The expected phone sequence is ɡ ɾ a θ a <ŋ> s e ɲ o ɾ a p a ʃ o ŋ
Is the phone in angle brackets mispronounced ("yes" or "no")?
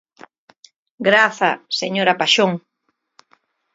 yes